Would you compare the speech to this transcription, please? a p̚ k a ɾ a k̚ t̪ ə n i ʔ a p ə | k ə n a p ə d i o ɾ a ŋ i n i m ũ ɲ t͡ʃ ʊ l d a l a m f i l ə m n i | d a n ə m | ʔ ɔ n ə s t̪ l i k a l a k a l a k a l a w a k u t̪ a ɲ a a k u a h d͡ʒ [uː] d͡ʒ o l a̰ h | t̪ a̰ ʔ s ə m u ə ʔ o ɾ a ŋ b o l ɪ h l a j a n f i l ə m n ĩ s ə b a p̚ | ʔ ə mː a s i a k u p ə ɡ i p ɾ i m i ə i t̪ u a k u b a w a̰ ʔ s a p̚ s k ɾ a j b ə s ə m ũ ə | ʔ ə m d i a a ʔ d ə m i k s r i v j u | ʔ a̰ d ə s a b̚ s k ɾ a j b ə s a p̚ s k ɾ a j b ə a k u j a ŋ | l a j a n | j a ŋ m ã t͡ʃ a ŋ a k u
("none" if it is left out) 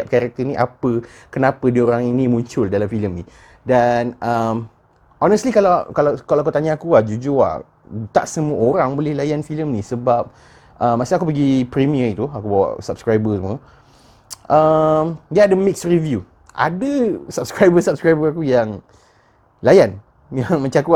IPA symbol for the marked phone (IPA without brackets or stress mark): u